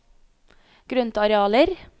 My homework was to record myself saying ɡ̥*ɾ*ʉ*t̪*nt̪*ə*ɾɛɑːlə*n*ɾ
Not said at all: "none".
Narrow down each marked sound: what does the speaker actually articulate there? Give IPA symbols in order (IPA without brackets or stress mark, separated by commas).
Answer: ɾ, none, ɑ, none